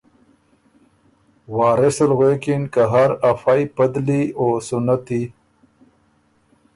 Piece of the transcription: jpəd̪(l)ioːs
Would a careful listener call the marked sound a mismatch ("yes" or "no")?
no